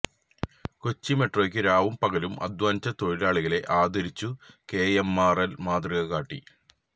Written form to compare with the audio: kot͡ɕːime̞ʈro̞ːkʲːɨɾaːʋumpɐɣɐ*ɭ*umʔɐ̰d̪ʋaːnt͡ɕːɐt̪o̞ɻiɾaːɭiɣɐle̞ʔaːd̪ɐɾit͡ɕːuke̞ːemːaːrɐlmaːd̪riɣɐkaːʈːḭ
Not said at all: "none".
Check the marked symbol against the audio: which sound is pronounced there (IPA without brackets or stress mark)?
l